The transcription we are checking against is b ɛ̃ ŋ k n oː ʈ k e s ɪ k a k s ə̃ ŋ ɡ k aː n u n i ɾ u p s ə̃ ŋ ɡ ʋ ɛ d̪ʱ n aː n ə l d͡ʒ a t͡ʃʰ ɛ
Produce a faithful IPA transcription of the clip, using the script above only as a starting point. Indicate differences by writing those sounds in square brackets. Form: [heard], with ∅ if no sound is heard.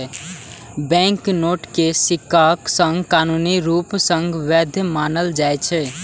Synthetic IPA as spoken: b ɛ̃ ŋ k n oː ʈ k e s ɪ k a k s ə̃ ŋ ɡ k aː n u n i ɾ u p s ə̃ ŋ ɡ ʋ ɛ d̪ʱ [m] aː n ə l d͡ʒ a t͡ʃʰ ɛ